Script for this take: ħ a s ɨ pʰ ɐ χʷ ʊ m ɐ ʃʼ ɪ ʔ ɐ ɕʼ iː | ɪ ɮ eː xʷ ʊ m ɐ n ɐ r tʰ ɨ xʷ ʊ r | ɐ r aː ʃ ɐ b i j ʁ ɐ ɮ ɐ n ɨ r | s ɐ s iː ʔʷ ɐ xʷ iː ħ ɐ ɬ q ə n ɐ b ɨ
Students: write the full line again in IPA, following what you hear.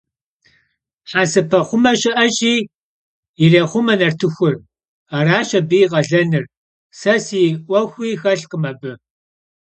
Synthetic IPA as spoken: ħ a s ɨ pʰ ɐ χʷ ʊ m ɐ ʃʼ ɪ ʔ ɐ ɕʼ iː | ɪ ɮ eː χʷ ʊ m ɐ n ɐ r tʰ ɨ xʷ ʊ r | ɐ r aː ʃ ɐ b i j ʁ ɐ ɮ ɐ n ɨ r | s ɐ s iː ʔʷ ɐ xʷ iː x ɐ ɬ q ə m ɐ b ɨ